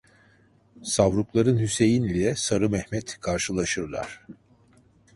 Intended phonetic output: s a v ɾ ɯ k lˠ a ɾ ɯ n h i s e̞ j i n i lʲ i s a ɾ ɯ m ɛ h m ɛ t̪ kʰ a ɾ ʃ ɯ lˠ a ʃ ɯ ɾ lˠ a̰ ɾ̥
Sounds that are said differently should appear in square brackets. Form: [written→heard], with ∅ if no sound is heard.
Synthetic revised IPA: s a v ɾ [ɯ→u] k lˠ a ɾ ɯ n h [i→y] s e̞ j i n i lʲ [i→ɛ] s a ɾ ɯ m ɛ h m ɛ t̪ kʰ a ɾ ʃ ɯ lˠ a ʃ ɯ ɾ lˠ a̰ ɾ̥